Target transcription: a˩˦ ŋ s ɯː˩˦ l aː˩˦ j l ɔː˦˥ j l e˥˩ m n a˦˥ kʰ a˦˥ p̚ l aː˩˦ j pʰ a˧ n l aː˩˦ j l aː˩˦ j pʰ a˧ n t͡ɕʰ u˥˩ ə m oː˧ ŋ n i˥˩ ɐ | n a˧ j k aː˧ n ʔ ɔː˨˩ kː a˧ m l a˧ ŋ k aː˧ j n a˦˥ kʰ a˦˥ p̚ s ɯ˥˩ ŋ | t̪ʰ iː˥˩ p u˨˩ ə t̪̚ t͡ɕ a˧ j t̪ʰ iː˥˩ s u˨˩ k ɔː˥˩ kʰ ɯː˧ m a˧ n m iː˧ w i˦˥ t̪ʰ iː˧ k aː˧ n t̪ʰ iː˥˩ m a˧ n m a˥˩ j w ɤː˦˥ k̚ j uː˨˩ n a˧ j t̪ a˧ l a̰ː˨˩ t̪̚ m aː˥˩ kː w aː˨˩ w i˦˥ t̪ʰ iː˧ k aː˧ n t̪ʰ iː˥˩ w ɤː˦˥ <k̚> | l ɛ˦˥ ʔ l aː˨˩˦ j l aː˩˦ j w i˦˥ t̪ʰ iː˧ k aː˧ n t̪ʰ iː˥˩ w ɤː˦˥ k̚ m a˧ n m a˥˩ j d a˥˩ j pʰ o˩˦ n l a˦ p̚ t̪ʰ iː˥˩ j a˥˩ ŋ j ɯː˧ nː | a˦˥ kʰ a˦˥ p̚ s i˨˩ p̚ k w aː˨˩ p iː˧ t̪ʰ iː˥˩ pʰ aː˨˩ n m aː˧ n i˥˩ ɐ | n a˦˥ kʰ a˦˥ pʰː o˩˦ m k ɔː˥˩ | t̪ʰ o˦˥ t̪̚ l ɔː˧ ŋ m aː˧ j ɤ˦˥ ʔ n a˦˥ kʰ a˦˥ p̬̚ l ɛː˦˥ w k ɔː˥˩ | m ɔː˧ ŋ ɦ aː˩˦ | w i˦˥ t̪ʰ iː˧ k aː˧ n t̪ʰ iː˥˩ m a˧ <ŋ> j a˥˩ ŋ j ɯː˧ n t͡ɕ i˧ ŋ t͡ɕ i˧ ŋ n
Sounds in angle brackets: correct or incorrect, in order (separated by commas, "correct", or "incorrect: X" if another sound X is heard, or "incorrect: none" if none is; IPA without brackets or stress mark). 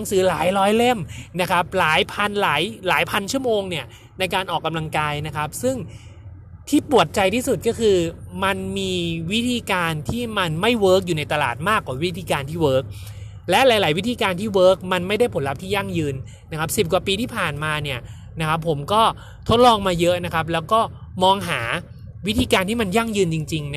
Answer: correct, incorrect: n